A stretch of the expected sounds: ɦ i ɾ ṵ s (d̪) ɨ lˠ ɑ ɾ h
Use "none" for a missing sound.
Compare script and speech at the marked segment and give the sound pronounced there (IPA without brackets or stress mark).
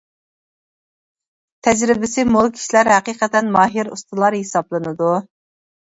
t̪